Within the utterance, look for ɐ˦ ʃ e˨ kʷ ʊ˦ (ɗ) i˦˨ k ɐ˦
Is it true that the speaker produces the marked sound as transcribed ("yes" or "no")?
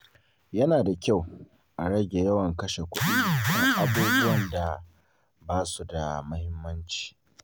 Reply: yes